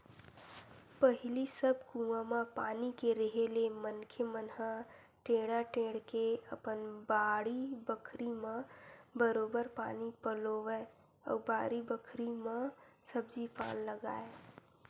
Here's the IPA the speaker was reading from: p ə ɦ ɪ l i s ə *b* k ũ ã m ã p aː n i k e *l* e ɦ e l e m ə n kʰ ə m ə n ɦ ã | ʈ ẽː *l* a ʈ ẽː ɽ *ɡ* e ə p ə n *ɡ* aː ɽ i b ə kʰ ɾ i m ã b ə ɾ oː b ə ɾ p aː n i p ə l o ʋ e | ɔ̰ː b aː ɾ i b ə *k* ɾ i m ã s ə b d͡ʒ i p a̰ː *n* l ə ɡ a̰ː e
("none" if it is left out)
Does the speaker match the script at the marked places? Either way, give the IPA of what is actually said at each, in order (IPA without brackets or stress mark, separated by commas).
b, ɾ, ɽ, k, b, kʰ, n